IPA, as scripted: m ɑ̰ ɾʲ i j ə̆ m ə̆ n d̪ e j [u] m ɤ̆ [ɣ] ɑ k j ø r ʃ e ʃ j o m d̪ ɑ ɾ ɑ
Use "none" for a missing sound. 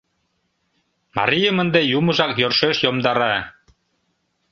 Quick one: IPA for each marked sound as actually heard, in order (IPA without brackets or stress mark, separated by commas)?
u, ʒ